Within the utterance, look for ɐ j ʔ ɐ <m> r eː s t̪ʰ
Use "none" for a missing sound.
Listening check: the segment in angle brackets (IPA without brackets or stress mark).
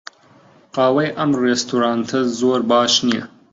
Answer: m